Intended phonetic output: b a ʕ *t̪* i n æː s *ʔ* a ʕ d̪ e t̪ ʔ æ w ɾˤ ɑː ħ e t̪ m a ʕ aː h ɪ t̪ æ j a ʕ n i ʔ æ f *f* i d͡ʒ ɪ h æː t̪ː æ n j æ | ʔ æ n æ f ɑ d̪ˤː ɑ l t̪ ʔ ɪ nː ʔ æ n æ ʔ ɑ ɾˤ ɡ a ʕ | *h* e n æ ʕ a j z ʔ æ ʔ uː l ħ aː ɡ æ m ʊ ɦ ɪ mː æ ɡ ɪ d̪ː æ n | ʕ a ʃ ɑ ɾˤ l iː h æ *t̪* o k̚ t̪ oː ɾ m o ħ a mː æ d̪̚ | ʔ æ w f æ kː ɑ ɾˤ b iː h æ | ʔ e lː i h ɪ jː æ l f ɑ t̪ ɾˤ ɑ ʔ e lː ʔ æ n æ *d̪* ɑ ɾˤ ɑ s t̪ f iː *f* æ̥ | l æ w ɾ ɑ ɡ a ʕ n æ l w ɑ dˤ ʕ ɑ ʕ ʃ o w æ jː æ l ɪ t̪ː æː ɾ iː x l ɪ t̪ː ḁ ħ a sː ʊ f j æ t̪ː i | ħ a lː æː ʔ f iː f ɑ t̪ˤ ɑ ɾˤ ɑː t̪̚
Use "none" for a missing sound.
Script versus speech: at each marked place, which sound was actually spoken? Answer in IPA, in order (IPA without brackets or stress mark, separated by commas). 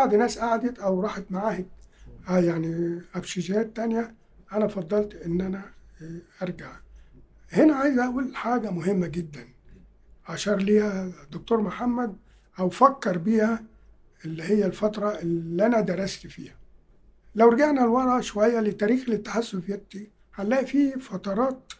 d̪, ʔ, ʃ, h, d̪, d̪, h